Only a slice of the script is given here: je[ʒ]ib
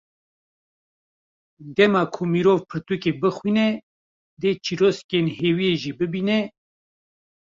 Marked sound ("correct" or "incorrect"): correct